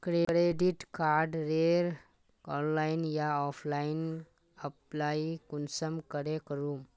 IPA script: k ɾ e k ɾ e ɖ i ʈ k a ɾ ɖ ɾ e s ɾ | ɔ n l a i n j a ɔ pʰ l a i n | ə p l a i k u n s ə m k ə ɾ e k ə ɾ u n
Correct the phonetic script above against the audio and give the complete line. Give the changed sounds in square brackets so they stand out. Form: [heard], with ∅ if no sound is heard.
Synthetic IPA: k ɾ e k ɾ e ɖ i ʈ k a ɾ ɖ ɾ e [∅] ɾ | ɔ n l a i n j a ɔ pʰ l a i n | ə p l a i k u n s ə m k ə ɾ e k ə ɾ u [m]